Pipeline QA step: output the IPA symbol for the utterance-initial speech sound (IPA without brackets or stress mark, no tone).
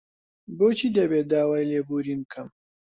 b